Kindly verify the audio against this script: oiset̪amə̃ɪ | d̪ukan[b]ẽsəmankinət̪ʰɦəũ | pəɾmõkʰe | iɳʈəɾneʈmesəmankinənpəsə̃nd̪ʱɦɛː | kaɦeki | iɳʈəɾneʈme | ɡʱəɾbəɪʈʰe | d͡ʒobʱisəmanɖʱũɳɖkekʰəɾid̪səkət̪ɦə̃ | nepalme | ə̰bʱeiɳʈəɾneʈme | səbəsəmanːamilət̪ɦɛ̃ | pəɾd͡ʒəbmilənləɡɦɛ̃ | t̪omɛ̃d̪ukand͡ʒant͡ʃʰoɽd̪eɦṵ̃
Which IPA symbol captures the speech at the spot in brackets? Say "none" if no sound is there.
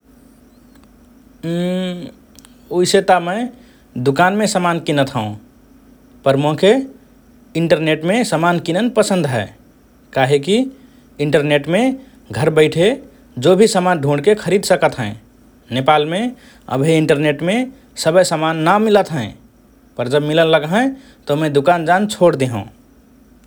m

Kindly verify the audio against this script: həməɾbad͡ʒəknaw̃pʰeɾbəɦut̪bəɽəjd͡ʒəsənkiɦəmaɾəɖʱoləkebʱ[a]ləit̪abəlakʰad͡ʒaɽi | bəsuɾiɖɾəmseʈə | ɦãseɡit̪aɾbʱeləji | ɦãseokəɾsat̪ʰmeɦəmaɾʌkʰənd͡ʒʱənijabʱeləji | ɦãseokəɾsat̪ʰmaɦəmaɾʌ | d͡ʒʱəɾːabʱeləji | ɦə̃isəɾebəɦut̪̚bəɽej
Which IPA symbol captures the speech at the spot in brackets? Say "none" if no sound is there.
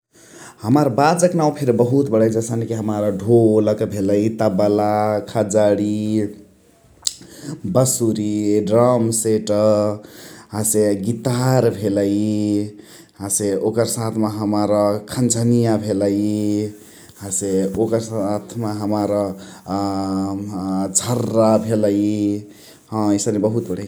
e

